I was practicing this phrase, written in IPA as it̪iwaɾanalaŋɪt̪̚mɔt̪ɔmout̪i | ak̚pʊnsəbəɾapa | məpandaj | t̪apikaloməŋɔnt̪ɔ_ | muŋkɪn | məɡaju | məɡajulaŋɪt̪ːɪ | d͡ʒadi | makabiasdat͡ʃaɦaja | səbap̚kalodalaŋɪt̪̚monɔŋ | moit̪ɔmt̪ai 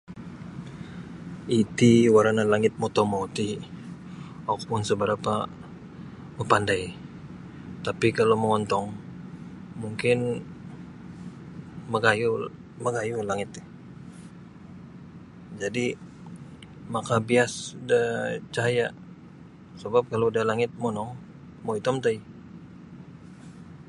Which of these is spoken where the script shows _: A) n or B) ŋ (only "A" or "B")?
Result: B